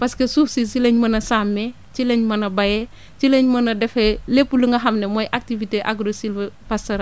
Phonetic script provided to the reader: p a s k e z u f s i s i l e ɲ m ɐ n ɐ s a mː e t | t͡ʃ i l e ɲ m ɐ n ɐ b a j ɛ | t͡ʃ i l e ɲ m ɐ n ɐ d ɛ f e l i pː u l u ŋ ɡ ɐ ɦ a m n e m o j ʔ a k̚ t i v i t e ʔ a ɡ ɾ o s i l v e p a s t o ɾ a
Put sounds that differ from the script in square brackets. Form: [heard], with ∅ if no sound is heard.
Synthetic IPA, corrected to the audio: p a s k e [s] u f s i s i l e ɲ m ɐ n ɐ s a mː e [∅] | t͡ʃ i l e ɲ m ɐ n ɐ b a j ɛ | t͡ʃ i l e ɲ m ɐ n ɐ d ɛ f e l [e] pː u l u ŋ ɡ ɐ ɦ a m n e m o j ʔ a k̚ t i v i t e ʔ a ɡ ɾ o s i l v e p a s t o ɾ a